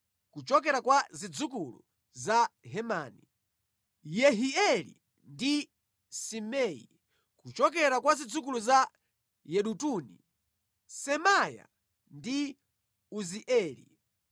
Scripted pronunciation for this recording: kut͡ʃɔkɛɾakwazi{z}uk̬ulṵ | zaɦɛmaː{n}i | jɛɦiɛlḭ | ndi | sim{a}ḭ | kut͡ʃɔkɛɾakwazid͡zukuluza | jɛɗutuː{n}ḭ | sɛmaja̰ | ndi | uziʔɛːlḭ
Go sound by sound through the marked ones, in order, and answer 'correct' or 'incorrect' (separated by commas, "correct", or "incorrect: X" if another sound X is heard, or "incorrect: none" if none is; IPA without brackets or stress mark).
incorrect: d͡z, correct, incorrect: ɛ, correct